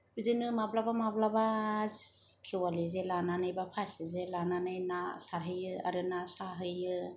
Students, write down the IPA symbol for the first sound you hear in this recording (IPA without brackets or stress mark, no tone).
b